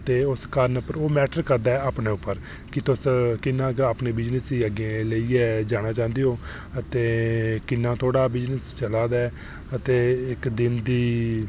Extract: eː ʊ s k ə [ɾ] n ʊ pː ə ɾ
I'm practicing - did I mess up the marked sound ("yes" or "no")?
no